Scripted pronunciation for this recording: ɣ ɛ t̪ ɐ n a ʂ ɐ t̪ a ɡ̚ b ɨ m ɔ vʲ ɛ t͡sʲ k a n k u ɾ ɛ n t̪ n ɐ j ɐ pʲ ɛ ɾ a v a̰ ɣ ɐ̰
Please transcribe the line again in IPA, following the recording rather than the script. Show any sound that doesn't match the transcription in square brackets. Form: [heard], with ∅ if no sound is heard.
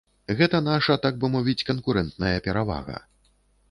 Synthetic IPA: ɣ ɛ t̪ ɐ n a ʂ ɐ t̪ a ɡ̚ b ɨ m ɔ vʲ [i] t͡sʲ k [ɐ] n k u ɾ ɛ n t̪ n ɐ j ɐ pʲ ɛ ɾ a v a̰ ɣ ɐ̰